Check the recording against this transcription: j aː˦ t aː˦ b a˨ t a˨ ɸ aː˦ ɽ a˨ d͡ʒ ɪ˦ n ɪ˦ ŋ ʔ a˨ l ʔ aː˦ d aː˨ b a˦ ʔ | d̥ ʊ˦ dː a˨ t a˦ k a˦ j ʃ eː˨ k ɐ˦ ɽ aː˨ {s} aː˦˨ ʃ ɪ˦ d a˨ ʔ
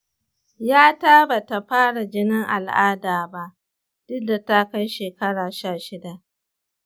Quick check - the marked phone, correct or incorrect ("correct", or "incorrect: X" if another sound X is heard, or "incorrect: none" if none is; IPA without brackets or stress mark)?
incorrect: ʃ